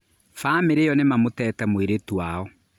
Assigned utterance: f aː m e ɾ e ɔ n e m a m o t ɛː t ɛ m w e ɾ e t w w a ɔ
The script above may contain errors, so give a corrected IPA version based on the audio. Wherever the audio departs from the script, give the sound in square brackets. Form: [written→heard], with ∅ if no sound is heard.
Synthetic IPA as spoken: f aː m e ɾ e ɔ n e m a m o t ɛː t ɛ m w e ɾ e t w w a ɔ